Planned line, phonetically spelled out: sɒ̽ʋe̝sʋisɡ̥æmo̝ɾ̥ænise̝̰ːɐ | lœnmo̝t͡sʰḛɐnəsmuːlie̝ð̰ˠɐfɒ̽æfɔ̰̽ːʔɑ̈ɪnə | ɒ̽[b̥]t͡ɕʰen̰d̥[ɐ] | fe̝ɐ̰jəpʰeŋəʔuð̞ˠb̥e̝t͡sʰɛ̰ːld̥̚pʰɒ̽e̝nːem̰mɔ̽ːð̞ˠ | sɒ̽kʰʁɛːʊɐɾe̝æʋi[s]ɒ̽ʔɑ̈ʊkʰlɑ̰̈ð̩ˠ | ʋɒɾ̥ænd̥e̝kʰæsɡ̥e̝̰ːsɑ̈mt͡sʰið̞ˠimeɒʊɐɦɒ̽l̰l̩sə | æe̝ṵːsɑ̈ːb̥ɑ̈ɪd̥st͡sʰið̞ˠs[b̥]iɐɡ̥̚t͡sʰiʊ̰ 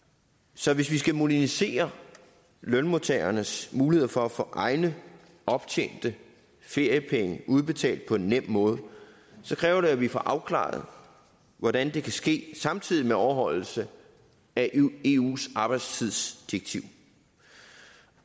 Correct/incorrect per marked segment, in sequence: correct, incorrect: ə, incorrect: f, incorrect: d̥

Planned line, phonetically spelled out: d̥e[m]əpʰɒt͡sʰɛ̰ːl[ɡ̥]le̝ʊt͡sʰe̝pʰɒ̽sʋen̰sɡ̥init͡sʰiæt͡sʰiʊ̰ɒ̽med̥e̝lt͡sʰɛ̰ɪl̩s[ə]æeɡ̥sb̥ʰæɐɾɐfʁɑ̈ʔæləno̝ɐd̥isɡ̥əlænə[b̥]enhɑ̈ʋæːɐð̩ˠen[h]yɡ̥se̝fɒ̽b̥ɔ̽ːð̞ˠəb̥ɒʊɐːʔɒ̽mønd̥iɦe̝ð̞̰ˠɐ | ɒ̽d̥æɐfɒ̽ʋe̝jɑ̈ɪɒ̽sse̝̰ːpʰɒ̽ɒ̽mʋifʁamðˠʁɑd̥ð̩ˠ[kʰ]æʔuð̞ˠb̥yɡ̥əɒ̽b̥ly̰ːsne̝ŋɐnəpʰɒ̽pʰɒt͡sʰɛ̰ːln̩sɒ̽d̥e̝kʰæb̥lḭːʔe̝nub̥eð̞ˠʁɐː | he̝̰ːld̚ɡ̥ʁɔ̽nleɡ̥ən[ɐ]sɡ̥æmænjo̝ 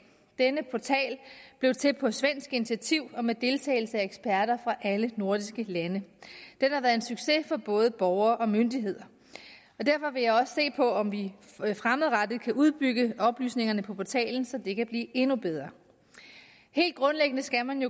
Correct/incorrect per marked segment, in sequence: incorrect: n, incorrect: b̥, correct, incorrect: d̥, incorrect: s, correct, incorrect: ə

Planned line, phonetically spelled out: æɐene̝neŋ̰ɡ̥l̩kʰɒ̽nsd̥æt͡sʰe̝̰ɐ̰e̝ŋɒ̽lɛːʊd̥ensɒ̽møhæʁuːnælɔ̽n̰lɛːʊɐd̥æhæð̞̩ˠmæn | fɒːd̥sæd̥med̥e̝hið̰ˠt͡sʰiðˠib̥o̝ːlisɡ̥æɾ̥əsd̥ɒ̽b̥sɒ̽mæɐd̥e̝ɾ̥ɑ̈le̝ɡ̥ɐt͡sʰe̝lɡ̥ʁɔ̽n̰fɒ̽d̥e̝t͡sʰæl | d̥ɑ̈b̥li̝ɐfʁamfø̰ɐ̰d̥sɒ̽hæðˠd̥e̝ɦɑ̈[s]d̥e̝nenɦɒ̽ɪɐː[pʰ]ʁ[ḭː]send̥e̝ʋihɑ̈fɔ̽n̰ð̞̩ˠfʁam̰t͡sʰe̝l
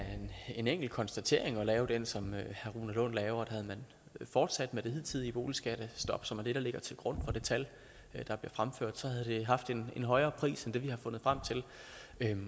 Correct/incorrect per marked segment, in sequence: incorrect: f, correct, correct

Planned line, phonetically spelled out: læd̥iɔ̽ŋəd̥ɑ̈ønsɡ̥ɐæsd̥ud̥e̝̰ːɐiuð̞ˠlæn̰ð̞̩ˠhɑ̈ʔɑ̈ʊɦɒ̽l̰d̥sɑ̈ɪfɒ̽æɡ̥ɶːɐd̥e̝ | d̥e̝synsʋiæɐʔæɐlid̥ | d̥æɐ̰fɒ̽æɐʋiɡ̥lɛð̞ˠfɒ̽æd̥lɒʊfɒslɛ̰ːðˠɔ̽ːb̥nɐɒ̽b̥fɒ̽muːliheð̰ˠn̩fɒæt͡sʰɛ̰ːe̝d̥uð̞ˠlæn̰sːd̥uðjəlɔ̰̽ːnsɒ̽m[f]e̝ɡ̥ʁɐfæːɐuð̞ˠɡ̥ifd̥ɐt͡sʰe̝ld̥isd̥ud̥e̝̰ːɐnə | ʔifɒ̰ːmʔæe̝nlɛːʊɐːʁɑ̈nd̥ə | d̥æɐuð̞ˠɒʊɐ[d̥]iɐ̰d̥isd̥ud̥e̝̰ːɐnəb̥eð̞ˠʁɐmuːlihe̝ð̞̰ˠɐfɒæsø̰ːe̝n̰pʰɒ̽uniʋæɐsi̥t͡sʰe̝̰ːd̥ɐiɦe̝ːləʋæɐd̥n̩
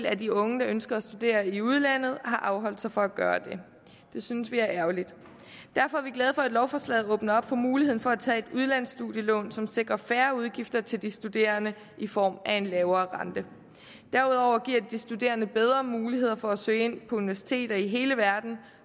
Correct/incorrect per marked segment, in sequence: incorrect: s, incorrect: ɡ̥

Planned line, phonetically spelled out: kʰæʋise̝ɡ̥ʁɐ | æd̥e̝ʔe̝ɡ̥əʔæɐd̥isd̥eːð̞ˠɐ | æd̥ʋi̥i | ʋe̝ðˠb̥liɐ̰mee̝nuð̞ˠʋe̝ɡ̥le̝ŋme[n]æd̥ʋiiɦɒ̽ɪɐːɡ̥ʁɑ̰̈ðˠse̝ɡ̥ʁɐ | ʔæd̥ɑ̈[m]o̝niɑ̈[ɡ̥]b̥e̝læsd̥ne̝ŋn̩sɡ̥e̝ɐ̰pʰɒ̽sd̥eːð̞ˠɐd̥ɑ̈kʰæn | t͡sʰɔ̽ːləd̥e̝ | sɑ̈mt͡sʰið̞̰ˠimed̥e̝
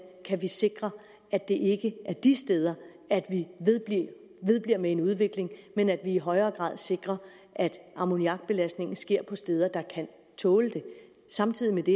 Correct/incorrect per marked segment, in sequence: correct, correct, correct

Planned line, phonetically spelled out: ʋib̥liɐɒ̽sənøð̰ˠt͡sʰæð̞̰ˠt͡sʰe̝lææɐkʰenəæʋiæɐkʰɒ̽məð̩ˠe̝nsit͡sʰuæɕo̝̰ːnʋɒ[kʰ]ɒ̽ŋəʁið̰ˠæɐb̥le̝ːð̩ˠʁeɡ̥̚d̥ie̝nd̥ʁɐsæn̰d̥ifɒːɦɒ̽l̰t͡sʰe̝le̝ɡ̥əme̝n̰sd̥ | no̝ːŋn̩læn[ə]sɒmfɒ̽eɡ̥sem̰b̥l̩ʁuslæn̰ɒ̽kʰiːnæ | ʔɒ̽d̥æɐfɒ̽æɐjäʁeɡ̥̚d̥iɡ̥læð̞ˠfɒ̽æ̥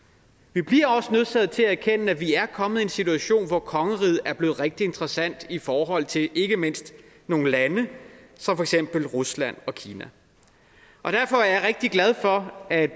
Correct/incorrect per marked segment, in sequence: correct, correct

